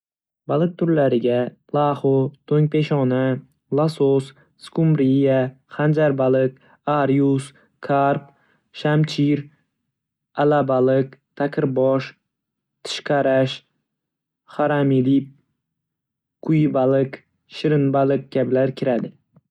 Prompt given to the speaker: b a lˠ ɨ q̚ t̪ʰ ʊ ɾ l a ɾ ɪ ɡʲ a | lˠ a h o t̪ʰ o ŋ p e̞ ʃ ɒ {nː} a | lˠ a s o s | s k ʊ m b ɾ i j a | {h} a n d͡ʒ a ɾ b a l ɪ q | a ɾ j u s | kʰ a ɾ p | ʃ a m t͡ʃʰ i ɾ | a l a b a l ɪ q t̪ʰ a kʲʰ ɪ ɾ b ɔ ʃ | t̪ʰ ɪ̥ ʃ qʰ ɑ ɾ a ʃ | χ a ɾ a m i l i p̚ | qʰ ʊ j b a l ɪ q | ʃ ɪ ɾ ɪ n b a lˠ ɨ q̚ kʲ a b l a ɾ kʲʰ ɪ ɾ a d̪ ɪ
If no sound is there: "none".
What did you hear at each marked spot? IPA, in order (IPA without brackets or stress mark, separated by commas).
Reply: n, χ